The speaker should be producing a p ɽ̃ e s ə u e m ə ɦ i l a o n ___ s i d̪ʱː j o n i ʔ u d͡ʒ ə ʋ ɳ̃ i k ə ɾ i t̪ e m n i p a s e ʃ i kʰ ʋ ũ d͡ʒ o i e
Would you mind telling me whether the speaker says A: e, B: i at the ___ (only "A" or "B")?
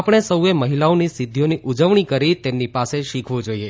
B